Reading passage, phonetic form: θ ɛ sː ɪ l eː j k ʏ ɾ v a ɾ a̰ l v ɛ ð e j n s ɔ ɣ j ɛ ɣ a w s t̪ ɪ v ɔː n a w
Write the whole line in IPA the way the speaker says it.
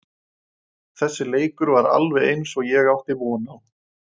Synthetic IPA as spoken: θ ɛ sː ɪ l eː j k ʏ ɾ v a ɾ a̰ l v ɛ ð e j n s ɔ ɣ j ɛ ɣ a w h t̪ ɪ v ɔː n a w